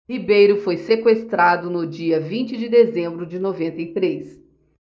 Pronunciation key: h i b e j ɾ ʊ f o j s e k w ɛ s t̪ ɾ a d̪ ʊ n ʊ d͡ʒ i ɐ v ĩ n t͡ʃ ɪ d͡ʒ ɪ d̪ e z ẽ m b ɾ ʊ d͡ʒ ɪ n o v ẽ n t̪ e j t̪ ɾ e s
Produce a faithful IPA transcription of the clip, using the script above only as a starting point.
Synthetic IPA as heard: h i b e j ɾ ʊ f o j s e k w e s t̪ ɾ a d̪ ʊ n ʊ d͡ʒ i ɐ v ĩ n t͡ʃ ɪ d͡ʒ ɪ d̪ e z ẽ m b ɾ ʊ d͡ʒ ɪ n o v ẽ n t̪ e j t̪ ɾ e s